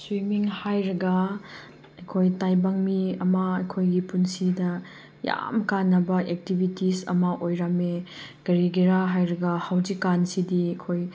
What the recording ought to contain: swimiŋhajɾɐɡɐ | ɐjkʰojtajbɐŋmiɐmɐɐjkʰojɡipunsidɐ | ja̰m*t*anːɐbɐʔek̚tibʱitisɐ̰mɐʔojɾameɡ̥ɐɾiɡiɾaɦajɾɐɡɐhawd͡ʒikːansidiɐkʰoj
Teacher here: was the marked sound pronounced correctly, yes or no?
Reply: no